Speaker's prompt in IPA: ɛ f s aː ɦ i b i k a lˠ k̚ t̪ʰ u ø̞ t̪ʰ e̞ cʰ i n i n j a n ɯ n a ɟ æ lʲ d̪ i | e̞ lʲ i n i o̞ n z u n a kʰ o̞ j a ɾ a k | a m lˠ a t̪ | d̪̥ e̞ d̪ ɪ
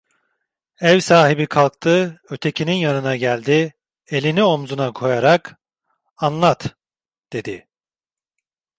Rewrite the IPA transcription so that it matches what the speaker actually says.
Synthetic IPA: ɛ v s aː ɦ i b i kʰ a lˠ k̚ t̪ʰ ɯ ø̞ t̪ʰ e̞ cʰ i n i n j a n ɯ n a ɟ æ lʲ d̪ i | e̞ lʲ i n i o̞ m z u n a kʰ o̞ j a ɾ a k | a n lˠ a t̪ | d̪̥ e̞ d̪ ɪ